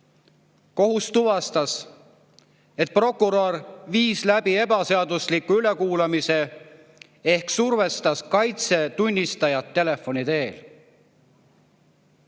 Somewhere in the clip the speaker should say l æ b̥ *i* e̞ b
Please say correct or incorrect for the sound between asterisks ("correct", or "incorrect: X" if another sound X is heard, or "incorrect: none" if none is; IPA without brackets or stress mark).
correct